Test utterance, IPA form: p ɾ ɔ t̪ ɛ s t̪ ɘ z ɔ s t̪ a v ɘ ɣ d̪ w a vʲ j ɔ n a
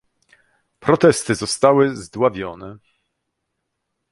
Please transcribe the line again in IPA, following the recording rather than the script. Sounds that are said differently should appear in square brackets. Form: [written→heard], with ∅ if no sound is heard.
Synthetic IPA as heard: p ɾ ɔ t̪ ɛ s t̪ ɘ z ɔ s t̪ a [v→w] ɘ [ɣ→z] d̪ w a vʲ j ɔ n [a→ɛ]